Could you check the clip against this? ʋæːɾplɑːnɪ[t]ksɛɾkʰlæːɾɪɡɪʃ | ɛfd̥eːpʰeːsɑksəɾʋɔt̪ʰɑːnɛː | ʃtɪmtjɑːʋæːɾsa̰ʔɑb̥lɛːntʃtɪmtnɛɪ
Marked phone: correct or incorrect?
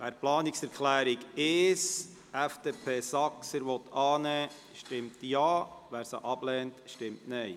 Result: incorrect